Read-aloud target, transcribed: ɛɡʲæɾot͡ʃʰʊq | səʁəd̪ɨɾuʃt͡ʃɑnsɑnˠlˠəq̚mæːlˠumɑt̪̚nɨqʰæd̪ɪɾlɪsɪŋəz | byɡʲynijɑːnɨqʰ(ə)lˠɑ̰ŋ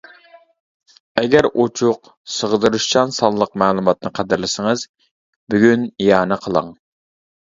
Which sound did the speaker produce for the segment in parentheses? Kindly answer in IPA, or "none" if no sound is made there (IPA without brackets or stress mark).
ə